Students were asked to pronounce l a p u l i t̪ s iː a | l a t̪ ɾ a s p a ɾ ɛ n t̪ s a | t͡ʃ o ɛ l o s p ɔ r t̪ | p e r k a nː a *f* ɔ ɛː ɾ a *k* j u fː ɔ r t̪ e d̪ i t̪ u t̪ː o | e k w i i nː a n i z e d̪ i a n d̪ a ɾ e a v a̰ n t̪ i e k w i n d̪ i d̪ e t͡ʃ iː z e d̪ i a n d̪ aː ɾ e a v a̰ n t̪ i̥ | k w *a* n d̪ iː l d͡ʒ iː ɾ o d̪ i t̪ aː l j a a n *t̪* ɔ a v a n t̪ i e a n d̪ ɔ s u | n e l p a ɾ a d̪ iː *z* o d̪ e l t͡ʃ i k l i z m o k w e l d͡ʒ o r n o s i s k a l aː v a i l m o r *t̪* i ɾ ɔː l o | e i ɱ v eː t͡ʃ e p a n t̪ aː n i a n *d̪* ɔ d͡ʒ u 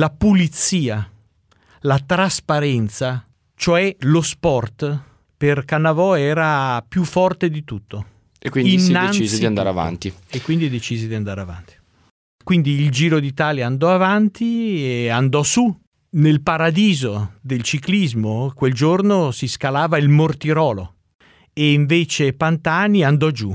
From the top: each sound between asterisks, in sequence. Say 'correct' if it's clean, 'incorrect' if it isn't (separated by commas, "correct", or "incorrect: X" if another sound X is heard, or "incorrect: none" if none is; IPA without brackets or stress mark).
incorrect: v, incorrect: p, incorrect: i, incorrect: d̪, correct, correct, correct